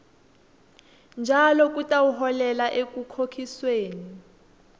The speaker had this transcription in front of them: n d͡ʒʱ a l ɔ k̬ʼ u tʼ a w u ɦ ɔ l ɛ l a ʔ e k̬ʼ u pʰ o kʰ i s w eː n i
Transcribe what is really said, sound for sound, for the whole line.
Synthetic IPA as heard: n d͡ʒʱ a l ɔ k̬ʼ u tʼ a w u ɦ ɔ l ɛ l a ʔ e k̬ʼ u kʰ o kʰ i s w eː n i